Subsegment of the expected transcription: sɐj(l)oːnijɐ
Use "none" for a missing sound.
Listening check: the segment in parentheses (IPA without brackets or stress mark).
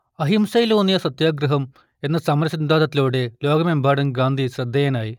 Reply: l